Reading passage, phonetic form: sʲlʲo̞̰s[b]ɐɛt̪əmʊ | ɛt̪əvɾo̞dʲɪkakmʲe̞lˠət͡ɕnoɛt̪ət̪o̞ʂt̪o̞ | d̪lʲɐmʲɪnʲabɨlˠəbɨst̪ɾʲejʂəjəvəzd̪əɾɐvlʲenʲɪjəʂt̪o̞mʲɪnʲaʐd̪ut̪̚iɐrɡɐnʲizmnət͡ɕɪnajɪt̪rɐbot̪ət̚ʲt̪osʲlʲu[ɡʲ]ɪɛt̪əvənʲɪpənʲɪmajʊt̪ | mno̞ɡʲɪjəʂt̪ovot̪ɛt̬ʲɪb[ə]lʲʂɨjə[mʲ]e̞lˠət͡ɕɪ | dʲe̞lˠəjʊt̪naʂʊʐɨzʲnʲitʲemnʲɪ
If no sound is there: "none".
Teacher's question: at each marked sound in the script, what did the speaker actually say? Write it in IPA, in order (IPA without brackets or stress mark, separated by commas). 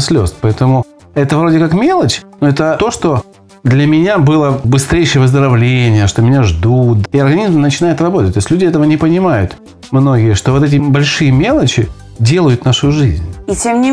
p, dʲ, ɐ, mʲ